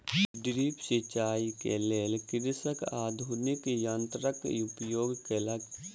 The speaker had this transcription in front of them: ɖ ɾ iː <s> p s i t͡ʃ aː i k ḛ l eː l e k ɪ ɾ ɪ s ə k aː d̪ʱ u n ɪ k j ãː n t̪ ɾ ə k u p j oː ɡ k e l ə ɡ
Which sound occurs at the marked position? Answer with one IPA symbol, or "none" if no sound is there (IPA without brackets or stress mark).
none